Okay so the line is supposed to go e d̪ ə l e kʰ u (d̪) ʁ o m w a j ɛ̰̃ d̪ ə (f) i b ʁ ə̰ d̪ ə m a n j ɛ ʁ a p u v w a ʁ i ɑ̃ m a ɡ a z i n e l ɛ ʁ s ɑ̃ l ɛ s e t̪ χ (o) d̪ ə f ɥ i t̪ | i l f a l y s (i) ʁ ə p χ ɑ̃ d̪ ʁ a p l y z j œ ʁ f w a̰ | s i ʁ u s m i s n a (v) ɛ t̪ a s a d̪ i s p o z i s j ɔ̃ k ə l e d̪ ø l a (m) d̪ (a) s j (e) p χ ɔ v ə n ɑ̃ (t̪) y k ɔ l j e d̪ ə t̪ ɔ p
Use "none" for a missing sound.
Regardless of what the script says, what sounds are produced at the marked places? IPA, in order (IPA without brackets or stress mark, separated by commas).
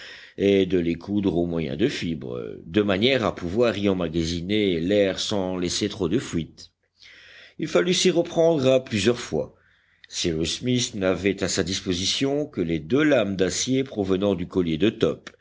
d̪, f, o, i, v, m, a, e, d̪